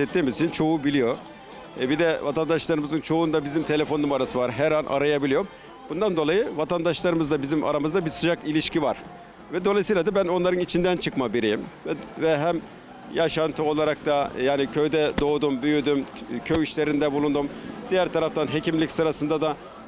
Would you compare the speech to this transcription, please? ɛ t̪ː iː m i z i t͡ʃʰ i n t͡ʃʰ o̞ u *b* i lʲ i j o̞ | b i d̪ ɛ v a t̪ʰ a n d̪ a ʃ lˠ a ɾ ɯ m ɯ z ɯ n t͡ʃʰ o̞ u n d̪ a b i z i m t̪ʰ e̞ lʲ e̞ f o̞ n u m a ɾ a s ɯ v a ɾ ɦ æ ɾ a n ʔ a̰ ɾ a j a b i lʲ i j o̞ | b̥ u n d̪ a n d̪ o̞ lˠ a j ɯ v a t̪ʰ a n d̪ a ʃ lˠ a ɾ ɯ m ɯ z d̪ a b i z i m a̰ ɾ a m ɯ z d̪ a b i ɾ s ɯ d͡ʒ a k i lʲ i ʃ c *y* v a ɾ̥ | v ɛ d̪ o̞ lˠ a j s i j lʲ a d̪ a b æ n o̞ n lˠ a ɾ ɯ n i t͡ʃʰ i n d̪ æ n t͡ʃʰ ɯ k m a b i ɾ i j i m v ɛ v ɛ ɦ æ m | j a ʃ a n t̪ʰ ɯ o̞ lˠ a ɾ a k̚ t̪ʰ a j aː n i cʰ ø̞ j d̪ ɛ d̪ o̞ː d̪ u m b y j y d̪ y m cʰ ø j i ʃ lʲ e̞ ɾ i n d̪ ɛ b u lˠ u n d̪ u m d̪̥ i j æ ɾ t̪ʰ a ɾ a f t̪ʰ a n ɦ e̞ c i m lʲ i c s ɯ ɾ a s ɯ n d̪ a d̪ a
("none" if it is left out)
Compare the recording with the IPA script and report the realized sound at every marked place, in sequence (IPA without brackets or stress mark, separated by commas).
b, i